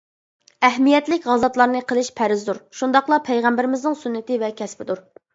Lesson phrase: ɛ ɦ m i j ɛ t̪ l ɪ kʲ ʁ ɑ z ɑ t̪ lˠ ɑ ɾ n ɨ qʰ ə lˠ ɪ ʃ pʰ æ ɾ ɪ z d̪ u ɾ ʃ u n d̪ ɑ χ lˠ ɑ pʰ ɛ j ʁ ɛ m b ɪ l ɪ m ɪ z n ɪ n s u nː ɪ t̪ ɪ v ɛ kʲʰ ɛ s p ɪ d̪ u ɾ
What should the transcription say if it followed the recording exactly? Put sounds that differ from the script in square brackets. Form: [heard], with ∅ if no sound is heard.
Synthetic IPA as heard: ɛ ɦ m i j ɛ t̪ l ɪ kʲ ʁ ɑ z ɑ t̪ lˠ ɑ ɾ n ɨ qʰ ə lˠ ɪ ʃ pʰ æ ɾ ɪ z d̪ u ɾ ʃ u n d̪ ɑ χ lˠ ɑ pʰ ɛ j ʁ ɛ m b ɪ [ɾ] ɪ m ɪ z n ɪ [ŋ] s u nː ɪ t̪ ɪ v ɛ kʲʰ ɛ s p ɪ d̪ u ɾ

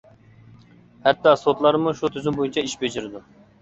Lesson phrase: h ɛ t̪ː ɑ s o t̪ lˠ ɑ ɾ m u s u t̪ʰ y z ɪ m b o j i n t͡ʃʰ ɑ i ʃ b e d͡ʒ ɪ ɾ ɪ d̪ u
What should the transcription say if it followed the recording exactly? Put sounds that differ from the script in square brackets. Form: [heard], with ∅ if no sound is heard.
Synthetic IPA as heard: h ɛ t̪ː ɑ s o t̪ lˠ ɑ ɾ m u [ʃ] u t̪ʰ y z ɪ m b o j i n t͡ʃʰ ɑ i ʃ b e d͡ʒ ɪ ɾ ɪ d̪ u

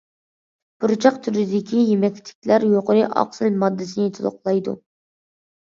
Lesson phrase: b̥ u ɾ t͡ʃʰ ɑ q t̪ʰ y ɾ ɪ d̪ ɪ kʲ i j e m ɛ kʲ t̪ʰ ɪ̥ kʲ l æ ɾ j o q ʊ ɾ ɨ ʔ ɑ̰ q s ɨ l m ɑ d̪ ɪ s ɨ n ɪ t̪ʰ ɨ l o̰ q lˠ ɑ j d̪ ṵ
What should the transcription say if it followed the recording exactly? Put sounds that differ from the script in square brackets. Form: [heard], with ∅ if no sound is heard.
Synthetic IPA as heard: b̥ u ɾ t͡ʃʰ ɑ q t̪ʰ y ɾ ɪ d̪ ɪ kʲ i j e m ɛ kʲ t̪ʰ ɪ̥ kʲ l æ ɾ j o q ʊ ɾ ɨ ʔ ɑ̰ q s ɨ l m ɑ [d̪ː] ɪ s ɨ n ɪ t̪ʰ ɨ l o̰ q lˠ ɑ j d̪ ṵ

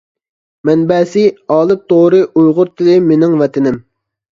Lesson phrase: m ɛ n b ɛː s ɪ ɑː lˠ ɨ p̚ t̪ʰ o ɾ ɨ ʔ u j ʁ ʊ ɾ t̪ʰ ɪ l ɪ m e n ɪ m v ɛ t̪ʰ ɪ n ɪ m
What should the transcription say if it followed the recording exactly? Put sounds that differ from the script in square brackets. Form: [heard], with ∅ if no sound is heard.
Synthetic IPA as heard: m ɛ n b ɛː s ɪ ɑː lˠ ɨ p̚ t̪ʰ o ɾ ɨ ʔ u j ʁ ʊ ɾ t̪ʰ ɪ l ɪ m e n ɪ [ŋ] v ɛ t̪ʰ ɪ n ɪ m

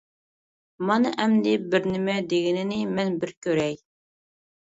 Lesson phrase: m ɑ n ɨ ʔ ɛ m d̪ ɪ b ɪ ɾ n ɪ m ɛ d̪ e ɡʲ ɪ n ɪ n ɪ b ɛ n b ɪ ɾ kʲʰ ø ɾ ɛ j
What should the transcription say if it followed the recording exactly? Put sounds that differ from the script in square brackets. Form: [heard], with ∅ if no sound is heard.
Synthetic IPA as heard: m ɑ n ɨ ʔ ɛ m d̪ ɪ b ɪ ɾ n ɪ m ɛ d̪ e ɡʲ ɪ n ɪ n ɪ [m] ɛ n b ɪ ɾ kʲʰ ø ɾ ɛ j

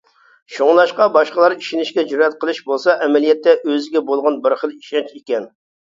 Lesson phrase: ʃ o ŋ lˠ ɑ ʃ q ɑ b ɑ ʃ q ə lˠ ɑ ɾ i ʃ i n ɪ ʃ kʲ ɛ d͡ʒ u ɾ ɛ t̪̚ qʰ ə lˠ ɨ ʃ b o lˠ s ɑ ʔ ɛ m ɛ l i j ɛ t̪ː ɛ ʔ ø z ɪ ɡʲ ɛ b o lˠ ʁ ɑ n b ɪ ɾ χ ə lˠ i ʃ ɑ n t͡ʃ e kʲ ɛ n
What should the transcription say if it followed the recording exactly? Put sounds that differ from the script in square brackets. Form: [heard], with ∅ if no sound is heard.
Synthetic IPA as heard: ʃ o ŋ lˠ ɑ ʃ q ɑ b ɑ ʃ q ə lˠ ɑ ɾ i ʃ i n ɪ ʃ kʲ ɛ d͡ʒ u ɾ ɛ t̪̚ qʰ ə lˠ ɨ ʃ b o lˠ s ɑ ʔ ɛ m ɛ l i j ɛ t̪ː ɛ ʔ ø z ɪ ɡʲ ɛ b o lˠ ʁ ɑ n b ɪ ɾ χ ə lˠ i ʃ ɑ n t͡ʃ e kʲ ɛ n

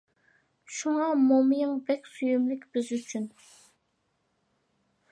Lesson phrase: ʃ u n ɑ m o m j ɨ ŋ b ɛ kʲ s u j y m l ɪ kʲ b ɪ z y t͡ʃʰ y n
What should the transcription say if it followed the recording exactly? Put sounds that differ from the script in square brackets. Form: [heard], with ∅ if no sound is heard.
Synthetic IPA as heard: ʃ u [ŋ] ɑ m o m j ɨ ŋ b ɛ kʲ s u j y m l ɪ kʲ b ɪ z y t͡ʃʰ y n

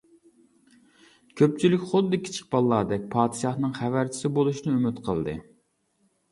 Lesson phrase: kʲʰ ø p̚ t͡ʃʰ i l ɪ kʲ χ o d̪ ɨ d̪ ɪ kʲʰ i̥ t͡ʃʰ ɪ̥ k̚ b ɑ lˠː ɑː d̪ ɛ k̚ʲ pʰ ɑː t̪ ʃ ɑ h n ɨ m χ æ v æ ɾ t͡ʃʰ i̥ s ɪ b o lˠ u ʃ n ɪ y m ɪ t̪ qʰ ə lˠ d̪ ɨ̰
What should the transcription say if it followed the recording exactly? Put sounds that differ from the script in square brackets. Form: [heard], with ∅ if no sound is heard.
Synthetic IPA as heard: kʲʰ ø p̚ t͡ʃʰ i l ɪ kʲ χ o d̪ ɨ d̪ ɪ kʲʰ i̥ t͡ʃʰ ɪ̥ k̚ b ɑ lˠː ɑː d̪ ɛ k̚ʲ pʰ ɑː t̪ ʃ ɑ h n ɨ [ŋ] χ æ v æ ɾ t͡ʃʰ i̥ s ɪ b o lˠ u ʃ n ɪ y m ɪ t̪ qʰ ə lˠ d̪ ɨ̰

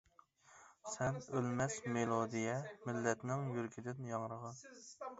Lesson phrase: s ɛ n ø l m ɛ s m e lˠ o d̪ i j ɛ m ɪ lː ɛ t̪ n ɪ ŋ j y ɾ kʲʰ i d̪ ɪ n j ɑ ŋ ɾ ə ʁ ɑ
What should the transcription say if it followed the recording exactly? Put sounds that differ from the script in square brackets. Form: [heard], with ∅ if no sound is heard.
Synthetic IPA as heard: s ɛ n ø l m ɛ s m e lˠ o d̪ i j ɛ m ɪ lː ɛ t̪ n ɪ ŋ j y ɾ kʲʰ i d̪ ɪ n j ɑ ŋ ɾ ə ʁ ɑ

